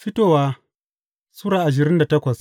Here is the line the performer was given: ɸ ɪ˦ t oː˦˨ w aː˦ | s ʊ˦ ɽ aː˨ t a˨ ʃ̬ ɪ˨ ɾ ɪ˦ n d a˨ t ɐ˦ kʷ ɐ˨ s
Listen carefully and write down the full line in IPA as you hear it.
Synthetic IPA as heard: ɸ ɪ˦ t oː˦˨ w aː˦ | s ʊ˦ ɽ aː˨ ʔ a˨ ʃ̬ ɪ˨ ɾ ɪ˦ n d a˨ t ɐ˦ kʷ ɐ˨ s